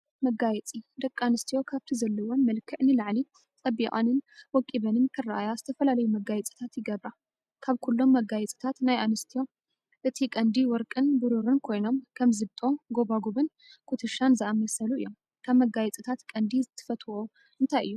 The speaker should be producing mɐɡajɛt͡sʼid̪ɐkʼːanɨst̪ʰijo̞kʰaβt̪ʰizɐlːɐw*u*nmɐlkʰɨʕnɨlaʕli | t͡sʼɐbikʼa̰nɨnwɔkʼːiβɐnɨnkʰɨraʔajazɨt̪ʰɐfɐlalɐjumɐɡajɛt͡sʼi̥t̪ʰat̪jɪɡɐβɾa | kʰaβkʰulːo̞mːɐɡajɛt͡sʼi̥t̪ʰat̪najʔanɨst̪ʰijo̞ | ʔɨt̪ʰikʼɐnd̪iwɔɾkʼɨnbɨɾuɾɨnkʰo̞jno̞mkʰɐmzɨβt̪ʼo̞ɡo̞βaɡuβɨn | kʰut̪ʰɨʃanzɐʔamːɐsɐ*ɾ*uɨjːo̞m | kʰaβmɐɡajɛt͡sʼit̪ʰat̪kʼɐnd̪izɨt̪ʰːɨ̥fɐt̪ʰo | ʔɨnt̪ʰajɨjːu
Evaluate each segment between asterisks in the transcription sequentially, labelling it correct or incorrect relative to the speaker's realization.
incorrect: o, incorrect: l

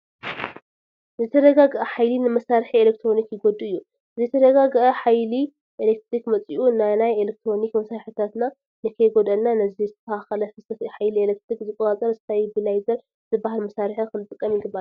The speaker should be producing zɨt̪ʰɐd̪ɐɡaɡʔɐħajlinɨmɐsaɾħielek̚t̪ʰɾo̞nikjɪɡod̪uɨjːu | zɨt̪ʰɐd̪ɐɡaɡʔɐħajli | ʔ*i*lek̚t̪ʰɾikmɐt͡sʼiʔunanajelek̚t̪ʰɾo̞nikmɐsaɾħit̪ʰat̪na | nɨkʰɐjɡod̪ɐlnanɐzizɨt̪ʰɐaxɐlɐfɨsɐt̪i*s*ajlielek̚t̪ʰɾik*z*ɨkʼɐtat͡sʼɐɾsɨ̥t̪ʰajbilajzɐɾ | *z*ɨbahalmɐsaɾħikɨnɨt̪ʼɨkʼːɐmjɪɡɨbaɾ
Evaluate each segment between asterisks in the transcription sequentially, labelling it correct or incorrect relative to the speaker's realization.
incorrect: e, incorrect: ħ, correct, correct

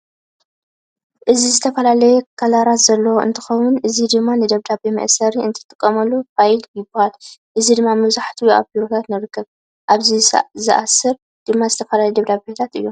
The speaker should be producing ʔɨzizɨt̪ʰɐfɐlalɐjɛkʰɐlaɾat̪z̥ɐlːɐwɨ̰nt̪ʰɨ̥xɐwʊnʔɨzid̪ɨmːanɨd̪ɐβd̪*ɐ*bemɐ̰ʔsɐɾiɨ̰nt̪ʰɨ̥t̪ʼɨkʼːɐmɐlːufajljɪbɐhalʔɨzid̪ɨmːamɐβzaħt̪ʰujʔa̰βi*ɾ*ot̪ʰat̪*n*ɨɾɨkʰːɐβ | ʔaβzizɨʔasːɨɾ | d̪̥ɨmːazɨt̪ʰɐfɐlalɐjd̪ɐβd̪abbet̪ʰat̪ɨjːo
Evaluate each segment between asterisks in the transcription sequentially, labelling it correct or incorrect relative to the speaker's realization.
incorrect: a, correct, correct

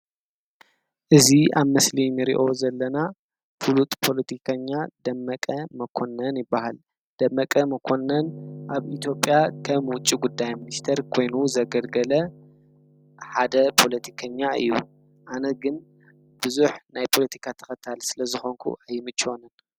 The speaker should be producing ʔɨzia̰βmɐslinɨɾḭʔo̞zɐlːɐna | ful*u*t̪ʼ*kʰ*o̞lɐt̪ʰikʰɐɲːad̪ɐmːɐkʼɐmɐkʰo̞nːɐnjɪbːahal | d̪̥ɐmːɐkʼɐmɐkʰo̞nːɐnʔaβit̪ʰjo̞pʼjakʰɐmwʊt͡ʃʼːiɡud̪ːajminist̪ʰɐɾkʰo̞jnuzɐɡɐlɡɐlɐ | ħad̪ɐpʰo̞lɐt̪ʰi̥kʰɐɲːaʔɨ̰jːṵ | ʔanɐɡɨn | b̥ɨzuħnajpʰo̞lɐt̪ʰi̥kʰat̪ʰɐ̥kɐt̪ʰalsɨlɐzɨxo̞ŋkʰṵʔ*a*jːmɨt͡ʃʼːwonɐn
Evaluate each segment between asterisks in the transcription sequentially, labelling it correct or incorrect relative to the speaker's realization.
correct, incorrect: pʰ, correct

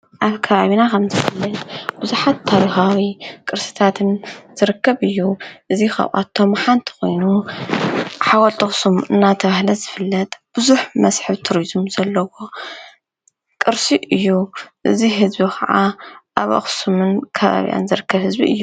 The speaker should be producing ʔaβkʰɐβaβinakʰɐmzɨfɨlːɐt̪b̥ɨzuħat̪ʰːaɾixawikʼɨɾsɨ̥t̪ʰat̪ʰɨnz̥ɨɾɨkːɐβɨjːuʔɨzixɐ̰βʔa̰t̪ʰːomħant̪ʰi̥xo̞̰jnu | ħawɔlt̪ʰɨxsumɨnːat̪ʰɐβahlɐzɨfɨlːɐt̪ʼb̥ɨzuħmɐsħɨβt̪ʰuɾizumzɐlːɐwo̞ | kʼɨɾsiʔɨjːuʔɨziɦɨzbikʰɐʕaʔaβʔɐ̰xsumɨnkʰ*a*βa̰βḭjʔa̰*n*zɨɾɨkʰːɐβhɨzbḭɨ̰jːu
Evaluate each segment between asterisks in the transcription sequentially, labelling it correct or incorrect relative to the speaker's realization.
incorrect: ɐ, correct

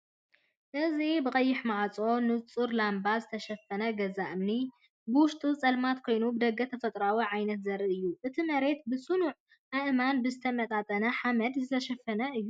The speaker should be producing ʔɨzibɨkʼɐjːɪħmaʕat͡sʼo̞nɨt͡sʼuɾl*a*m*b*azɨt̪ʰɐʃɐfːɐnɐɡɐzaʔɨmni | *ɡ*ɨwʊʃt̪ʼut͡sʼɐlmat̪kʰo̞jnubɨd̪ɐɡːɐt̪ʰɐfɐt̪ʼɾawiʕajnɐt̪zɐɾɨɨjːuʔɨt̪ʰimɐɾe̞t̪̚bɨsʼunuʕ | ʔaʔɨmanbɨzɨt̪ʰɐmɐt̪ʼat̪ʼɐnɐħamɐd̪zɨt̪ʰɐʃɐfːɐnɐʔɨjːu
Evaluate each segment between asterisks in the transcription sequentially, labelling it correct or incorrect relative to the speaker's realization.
correct, correct, incorrect: b

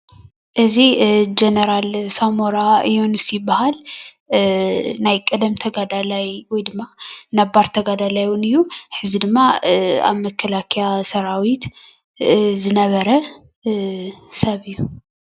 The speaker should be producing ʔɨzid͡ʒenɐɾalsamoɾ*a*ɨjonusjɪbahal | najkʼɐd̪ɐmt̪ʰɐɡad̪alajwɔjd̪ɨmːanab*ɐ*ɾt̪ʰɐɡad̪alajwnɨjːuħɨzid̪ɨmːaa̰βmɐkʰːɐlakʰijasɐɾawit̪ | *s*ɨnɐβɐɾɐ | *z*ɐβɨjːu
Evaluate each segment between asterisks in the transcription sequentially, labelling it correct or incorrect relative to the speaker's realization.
correct, incorrect: a, incorrect: z, incorrect: s

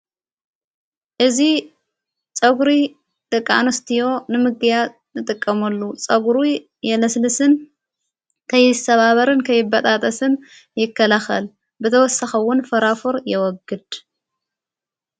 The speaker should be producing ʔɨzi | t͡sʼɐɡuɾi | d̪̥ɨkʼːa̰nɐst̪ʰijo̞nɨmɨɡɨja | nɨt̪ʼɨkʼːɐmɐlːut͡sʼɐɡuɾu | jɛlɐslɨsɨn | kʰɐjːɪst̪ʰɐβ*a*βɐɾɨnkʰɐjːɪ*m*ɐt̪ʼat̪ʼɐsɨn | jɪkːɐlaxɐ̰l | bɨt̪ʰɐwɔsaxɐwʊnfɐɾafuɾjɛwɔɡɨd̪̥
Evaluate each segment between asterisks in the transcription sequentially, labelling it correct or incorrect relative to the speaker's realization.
correct, incorrect: b

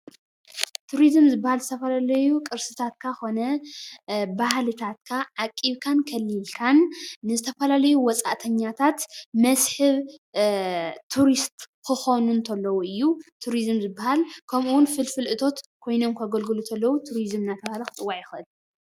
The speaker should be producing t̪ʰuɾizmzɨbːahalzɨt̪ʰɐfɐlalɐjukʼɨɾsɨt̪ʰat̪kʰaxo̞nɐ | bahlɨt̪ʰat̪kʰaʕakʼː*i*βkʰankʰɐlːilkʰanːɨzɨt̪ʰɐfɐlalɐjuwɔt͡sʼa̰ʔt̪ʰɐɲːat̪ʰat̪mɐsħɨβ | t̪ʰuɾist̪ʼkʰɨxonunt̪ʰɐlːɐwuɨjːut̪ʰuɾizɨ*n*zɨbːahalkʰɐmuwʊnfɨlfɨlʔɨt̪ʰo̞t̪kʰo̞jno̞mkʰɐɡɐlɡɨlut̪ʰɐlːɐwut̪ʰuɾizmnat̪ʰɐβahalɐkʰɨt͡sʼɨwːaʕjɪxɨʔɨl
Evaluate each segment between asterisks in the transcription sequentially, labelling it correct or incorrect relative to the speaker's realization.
correct, incorrect: m

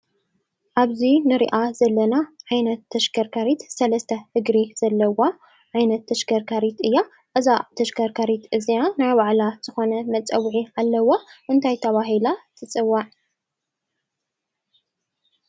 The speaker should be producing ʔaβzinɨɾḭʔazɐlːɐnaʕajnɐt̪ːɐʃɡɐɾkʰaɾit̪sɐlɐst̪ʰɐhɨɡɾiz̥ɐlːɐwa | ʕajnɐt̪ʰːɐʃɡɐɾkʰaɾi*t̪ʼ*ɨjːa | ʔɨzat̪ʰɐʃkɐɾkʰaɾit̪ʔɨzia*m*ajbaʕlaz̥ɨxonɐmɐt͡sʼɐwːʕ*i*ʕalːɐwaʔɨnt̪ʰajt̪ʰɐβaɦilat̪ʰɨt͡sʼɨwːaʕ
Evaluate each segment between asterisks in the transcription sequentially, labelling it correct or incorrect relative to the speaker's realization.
incorrect: t̪, incorrect: n, correct

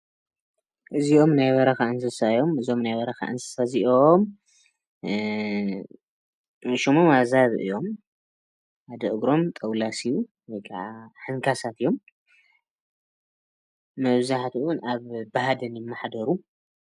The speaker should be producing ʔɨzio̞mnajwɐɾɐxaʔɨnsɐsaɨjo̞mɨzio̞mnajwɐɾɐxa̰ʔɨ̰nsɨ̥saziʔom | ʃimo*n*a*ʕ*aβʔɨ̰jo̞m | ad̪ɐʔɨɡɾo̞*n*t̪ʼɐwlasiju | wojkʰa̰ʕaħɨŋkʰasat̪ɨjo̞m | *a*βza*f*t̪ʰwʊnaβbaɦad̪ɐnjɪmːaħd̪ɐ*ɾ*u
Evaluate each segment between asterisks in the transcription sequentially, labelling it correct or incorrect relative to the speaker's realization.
incorrect: m, incorrect: z, incorrect: m, incorrect: ɐ, incorrect: ħ, correct

